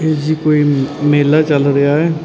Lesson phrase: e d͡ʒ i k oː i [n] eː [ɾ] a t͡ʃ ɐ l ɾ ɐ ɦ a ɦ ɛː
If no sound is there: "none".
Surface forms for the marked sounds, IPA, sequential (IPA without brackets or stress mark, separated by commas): m, l